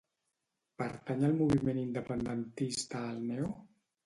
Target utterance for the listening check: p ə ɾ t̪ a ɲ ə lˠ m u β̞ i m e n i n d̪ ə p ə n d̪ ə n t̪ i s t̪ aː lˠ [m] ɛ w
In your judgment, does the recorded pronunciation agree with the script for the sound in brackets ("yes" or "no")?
no